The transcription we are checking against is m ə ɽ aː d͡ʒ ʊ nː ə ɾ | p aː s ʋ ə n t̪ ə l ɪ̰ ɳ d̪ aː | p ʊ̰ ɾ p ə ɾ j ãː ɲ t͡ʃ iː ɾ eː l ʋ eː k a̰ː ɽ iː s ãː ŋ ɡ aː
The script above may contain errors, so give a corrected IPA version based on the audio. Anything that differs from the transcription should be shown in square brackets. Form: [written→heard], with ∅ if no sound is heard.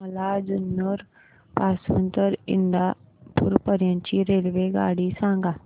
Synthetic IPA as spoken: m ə [ɽ→l] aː d͡ʒ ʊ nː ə ɾ | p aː s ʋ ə n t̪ ə [l→ɾ] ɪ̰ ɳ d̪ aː | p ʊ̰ ɾ p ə ɾ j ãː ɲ t͡ʃ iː ɾ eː l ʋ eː [k→ɡ] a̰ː ɽ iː s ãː ŋ ɡ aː